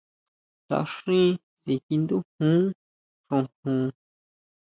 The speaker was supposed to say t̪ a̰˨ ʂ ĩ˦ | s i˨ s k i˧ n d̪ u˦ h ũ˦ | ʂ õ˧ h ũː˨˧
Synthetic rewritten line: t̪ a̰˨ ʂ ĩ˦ | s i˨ k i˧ n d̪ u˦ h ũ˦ | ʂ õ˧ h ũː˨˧